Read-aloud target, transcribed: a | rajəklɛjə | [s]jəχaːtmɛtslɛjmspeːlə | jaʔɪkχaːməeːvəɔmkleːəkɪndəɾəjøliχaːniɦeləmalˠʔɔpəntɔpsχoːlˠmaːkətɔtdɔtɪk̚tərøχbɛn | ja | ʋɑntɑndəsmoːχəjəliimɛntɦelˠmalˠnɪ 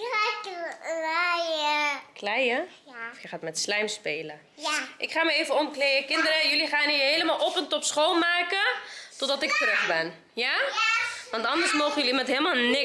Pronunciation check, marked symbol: incorrect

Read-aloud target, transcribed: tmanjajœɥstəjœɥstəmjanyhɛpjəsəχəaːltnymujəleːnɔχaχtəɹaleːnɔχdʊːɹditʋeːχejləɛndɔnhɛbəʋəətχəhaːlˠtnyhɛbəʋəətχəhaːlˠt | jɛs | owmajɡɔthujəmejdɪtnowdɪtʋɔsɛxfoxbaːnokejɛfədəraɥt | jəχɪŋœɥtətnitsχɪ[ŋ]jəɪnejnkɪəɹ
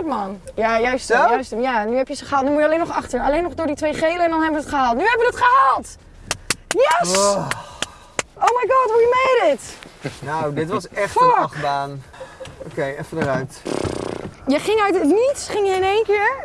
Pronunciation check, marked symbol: correct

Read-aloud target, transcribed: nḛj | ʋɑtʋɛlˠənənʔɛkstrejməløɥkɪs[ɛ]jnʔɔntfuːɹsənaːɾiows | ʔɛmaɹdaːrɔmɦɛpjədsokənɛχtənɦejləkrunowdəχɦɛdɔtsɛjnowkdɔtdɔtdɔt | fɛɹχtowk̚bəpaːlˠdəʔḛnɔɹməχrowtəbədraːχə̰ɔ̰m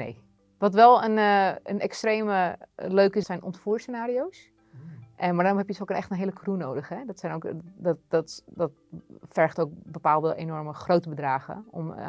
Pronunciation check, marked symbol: correct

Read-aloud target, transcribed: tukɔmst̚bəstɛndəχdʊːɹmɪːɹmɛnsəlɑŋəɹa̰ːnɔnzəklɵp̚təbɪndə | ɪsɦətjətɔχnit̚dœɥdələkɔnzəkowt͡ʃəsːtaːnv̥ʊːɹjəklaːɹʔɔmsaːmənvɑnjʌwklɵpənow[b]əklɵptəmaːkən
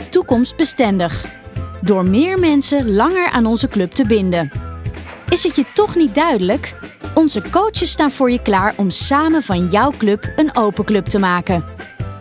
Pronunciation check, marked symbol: incorrect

